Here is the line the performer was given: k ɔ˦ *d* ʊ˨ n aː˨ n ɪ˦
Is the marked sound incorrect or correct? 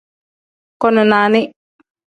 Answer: incorrect